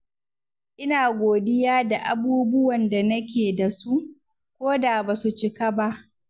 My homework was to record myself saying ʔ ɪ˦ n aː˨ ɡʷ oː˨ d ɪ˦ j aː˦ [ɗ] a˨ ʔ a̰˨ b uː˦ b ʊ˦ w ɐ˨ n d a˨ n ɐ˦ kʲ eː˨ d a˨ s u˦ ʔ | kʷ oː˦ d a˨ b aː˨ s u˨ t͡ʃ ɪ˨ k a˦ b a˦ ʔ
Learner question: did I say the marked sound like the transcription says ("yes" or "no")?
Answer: no